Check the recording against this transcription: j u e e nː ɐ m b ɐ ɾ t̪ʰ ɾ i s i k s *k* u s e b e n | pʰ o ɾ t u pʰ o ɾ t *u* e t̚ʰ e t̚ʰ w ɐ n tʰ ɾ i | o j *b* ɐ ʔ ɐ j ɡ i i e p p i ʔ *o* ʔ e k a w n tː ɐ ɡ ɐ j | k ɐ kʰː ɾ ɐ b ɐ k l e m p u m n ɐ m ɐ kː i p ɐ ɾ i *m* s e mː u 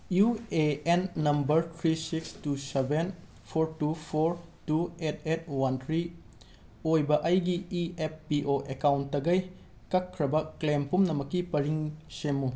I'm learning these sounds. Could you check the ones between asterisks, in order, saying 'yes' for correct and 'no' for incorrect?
no, yes, yes, yes, no

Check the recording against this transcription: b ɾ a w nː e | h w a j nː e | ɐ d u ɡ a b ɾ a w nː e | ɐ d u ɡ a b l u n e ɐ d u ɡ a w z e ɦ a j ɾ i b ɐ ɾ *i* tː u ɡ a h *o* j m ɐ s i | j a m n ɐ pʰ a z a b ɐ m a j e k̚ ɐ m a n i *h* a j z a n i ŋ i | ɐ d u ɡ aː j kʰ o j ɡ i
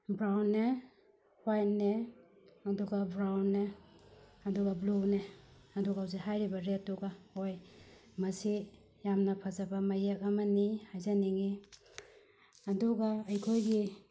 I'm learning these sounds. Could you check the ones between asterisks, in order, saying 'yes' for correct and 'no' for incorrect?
no, yes, yes

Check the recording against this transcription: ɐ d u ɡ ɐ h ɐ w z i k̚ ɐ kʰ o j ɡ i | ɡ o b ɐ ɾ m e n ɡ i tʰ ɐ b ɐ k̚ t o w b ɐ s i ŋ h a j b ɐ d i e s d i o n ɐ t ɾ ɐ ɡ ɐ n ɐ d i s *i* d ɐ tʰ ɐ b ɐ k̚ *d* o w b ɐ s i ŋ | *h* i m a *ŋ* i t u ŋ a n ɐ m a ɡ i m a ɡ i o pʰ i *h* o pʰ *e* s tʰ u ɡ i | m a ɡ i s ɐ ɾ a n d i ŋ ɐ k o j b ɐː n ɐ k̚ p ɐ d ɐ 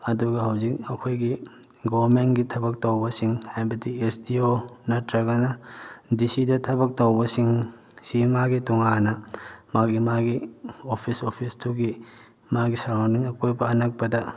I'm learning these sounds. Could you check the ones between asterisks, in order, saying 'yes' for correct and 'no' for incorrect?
yes, no, no, no, no, no

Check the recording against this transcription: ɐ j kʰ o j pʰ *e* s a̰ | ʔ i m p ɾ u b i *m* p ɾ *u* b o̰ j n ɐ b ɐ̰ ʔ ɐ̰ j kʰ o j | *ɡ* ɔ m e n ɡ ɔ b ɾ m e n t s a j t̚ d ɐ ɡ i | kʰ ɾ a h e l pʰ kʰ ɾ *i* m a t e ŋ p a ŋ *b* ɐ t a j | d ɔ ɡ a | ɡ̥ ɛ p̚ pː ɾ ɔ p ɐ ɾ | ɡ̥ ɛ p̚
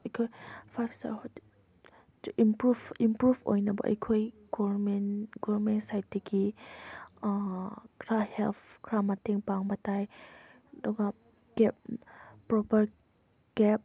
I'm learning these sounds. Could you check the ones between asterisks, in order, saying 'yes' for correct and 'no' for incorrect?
no, yes, yes, yes, no, yes

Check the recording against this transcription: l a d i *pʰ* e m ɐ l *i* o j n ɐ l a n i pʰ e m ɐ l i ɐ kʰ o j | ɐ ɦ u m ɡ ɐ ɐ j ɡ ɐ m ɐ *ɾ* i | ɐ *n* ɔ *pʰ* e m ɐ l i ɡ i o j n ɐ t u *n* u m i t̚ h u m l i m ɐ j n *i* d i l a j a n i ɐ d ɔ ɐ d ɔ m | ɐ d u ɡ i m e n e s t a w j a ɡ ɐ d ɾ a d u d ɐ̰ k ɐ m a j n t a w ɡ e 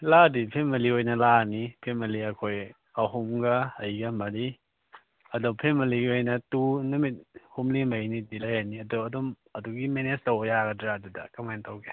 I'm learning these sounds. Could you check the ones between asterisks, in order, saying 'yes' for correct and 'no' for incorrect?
yes, yes, yes, no, yes, yes, yes

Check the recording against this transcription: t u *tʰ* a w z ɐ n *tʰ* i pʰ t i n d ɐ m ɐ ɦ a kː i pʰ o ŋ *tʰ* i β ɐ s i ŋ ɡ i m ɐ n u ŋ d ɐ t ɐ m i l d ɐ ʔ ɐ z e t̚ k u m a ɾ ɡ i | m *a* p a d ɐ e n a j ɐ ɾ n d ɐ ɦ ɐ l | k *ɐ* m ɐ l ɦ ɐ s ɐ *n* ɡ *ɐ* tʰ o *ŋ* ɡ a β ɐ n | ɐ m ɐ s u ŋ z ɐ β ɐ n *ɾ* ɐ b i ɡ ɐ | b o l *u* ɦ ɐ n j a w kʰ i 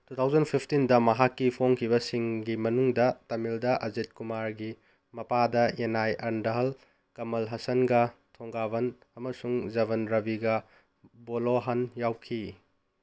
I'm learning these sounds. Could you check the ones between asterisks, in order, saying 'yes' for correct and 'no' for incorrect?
yes, no, no, no, yes, yes, yes, yes, yes, no

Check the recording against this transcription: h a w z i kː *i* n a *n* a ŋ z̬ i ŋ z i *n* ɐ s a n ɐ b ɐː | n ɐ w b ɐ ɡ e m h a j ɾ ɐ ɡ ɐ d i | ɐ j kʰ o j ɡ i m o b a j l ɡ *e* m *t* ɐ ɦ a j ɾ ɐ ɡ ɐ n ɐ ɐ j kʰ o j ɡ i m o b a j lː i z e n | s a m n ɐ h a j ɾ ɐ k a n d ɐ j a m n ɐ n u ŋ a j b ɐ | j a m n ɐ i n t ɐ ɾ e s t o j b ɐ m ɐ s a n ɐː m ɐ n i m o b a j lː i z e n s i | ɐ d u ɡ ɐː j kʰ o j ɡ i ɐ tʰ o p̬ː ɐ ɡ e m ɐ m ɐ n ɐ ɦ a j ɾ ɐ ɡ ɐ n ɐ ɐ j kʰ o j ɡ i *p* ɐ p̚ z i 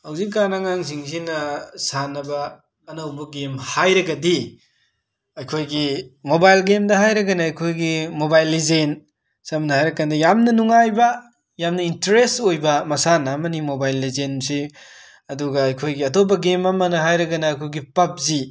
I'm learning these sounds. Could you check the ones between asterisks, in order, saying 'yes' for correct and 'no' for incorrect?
no, no, yes, yes, no, yes

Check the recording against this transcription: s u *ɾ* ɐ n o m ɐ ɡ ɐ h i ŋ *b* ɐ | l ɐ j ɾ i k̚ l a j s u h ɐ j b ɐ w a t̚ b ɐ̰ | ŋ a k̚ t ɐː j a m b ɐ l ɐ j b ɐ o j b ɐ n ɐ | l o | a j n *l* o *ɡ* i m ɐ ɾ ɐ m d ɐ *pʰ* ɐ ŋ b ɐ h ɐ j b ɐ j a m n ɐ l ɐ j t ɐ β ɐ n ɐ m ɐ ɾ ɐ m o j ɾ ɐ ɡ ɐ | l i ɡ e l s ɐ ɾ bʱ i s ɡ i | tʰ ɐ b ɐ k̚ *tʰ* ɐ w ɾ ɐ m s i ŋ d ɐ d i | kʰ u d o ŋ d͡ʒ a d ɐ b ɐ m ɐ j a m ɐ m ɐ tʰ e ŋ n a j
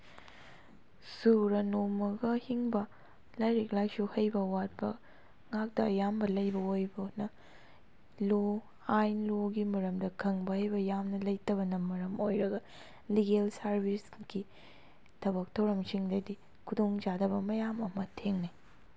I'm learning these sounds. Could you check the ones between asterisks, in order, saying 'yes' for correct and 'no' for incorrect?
yes, yes, yes, yes, no, yes

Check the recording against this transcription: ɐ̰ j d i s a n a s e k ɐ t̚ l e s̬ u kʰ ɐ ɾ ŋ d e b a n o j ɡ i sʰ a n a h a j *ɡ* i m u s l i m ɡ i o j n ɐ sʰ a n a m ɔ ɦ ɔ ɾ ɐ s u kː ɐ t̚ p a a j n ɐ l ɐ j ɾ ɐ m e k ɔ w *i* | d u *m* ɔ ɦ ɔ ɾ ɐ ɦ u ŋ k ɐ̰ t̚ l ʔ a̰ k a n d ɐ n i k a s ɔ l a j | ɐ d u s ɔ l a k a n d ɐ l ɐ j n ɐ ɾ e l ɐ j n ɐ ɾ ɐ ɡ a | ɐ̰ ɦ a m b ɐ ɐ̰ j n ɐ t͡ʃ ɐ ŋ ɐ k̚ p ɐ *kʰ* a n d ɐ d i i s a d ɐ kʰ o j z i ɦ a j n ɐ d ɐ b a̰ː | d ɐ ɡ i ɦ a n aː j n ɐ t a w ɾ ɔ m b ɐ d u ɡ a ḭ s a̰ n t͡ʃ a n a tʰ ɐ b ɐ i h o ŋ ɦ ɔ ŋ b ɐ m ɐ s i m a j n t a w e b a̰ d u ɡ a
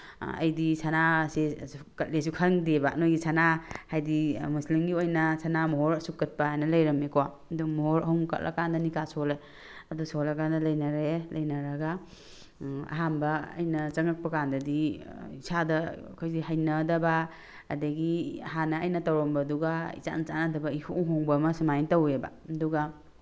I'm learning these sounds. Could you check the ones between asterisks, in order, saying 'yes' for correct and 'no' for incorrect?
no, no, yes, no

